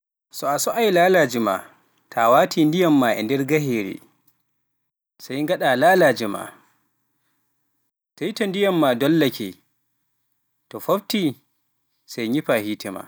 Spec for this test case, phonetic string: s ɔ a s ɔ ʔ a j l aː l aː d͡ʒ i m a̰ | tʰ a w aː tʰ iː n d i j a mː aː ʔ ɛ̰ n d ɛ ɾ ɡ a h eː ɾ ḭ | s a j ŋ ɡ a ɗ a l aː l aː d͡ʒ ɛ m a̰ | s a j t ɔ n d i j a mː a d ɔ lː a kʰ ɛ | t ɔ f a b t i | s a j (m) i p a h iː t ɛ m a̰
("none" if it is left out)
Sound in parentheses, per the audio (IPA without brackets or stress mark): ɲ